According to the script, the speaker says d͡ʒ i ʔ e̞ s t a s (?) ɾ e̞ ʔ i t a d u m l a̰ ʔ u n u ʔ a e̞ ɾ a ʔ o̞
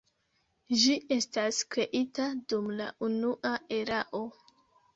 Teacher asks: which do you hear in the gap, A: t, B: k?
B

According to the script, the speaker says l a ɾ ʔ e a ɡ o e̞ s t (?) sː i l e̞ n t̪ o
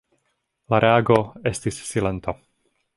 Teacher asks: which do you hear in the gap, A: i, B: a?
A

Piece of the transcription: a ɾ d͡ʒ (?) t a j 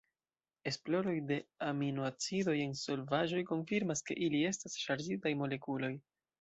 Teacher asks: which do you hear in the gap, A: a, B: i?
B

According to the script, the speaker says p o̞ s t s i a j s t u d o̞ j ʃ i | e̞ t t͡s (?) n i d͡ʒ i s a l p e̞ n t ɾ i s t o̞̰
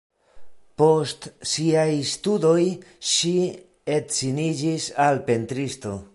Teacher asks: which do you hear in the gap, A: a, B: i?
B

